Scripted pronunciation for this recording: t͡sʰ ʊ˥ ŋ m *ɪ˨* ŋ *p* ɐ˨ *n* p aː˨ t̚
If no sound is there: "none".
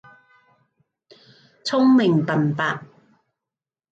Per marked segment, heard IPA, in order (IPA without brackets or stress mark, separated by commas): ɪ˨, p, n